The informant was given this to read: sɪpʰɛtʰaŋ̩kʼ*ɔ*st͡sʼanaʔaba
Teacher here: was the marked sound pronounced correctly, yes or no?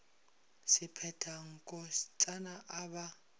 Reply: yes